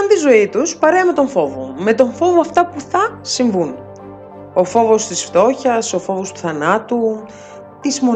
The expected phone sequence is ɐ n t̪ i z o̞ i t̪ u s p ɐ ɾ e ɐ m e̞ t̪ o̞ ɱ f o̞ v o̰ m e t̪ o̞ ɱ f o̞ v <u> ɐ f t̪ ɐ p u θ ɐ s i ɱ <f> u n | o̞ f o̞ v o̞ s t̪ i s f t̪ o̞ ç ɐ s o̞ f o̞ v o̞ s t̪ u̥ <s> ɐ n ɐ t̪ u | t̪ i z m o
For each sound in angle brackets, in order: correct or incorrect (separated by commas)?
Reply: incorrect, incorrect, incorrect